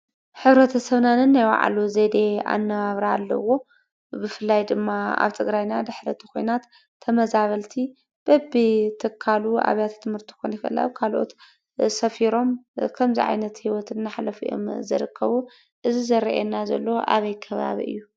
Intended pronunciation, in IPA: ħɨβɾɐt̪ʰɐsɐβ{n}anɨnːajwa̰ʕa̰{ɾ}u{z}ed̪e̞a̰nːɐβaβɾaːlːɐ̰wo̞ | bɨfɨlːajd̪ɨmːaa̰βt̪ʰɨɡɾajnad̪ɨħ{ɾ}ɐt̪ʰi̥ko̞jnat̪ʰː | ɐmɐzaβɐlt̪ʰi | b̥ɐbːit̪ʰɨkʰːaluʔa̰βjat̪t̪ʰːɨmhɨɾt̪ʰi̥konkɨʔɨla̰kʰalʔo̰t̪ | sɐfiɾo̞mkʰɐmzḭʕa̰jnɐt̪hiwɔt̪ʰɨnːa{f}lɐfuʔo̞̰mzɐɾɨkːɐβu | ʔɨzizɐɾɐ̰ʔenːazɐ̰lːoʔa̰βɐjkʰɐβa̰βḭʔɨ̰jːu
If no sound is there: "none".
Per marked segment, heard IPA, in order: n, l, z, ɾ, ħ

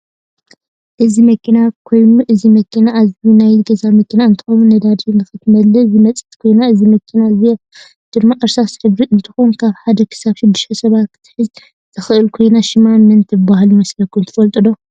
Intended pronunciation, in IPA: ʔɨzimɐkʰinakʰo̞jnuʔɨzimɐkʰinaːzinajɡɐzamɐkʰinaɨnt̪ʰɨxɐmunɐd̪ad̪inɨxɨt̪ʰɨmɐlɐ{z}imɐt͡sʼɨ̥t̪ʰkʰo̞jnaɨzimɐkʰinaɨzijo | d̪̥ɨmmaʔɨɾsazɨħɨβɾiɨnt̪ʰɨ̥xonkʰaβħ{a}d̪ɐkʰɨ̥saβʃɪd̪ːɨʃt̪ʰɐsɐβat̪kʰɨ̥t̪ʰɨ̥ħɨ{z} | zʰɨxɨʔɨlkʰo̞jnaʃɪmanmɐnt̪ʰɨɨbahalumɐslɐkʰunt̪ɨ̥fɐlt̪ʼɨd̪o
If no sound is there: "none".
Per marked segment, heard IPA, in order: z, a, z

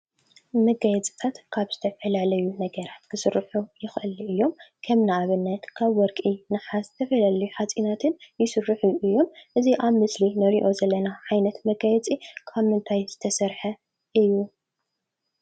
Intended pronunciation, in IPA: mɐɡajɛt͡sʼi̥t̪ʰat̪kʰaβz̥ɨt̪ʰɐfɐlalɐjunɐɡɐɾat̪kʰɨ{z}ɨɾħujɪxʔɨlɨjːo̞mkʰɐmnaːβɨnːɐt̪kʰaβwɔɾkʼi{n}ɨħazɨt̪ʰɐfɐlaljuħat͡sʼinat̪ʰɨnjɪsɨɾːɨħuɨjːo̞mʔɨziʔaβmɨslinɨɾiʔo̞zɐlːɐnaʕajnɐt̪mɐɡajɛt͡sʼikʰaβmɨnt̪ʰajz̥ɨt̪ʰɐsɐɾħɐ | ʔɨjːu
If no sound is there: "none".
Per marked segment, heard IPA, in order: s, n

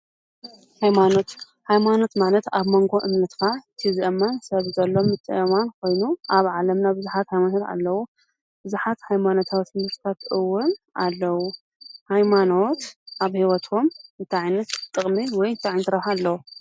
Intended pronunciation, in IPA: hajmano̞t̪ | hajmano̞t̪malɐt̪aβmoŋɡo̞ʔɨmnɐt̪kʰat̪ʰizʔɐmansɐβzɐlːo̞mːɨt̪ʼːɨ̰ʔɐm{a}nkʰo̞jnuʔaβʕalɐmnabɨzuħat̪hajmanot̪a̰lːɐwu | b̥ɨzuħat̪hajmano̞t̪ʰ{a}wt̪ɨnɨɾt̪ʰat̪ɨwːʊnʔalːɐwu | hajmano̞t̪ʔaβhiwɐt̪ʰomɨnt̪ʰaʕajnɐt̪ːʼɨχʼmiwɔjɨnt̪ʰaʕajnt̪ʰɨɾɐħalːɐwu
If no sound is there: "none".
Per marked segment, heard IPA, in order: a, a

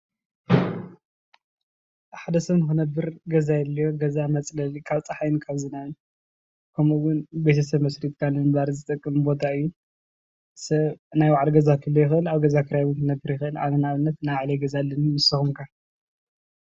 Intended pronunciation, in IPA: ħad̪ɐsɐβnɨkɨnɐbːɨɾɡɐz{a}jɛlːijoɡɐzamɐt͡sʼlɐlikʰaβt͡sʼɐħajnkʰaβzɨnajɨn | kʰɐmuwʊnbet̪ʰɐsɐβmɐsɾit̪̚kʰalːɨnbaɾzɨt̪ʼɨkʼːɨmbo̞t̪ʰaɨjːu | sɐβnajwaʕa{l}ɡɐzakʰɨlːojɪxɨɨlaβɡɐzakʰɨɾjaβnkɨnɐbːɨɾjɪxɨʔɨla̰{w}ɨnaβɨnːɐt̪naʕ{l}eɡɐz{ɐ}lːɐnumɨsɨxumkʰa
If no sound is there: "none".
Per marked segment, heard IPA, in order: a, l, β, l, a

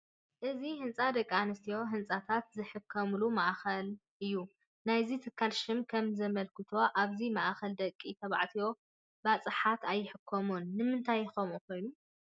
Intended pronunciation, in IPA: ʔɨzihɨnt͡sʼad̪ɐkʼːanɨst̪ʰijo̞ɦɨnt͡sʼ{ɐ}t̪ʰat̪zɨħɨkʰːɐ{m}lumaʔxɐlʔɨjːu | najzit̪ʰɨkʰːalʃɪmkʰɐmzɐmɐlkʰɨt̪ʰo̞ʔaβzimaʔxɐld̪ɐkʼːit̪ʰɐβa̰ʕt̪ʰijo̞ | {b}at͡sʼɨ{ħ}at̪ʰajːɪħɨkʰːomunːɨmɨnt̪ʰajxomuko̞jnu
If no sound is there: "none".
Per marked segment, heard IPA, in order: a, m, b, ħ

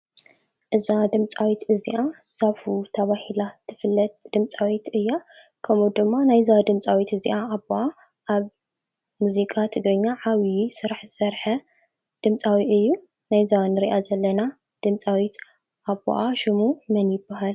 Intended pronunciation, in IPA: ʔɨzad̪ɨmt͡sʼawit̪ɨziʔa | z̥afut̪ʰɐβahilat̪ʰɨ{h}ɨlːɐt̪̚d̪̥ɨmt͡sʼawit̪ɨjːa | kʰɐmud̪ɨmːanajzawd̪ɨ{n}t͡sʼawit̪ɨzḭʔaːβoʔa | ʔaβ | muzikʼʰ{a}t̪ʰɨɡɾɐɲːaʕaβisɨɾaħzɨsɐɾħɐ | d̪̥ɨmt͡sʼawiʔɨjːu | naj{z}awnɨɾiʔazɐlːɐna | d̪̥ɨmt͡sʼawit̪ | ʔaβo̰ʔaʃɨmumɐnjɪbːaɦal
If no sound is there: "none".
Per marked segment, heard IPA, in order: f, m, a, z

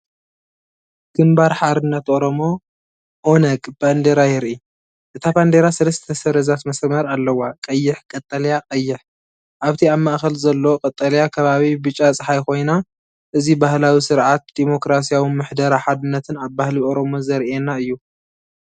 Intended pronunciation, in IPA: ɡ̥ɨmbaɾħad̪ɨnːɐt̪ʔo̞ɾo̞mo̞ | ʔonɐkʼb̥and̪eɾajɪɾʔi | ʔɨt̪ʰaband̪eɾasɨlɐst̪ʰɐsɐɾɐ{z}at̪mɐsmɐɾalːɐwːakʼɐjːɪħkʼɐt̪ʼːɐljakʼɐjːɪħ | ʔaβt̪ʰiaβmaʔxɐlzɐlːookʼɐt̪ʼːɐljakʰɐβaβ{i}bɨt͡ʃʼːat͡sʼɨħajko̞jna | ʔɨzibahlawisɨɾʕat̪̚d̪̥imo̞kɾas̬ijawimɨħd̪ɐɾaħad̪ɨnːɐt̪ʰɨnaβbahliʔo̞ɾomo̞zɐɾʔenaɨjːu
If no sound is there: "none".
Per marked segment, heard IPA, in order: z, i

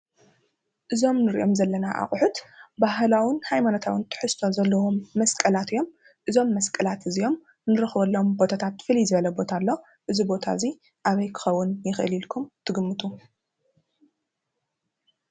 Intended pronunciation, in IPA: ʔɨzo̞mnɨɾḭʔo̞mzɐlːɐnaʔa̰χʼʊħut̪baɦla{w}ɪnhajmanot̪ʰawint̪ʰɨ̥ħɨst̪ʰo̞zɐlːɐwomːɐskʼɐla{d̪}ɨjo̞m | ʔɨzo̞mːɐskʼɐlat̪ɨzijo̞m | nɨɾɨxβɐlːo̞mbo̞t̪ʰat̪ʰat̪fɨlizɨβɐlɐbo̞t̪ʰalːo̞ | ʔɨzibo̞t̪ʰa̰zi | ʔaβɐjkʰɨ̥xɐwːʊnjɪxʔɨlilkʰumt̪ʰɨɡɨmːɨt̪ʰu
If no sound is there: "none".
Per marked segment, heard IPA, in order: w, t̪

